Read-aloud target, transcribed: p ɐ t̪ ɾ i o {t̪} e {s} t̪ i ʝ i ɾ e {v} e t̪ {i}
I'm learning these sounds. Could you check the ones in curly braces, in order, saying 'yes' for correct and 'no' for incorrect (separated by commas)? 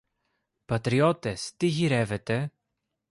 yes, yes, yes, no